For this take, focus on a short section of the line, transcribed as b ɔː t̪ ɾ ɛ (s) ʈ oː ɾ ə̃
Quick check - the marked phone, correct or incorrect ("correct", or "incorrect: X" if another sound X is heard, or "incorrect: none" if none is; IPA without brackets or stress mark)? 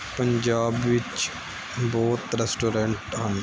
correct